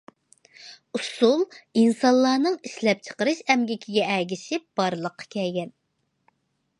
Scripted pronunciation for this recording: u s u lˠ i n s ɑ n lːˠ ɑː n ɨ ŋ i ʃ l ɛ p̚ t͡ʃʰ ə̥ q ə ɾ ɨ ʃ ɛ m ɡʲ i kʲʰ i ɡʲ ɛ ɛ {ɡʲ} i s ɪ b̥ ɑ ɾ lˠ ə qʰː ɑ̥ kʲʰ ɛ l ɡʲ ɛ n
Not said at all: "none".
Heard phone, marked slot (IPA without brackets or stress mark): ɡʲ